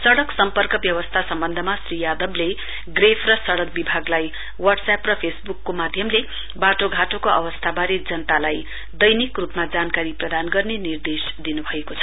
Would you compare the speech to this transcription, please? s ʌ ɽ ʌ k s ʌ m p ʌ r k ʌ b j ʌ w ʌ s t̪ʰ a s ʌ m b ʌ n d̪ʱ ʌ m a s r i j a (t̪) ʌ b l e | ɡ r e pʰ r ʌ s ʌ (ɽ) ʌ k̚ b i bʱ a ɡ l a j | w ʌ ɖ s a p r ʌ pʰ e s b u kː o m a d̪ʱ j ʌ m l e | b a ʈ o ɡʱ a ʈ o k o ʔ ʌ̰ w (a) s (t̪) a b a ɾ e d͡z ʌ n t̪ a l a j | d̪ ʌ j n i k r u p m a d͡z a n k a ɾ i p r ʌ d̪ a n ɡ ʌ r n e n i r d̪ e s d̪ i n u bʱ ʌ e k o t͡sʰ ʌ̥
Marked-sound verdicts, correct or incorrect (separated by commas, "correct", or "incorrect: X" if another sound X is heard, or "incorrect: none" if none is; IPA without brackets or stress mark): incorrect: d̪, correct, incorrect: ʌ, incorrect: t̪ʰ